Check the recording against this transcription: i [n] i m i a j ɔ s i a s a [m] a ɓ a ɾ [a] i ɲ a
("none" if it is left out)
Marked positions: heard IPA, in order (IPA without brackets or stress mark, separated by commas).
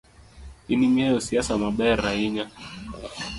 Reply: n, m, a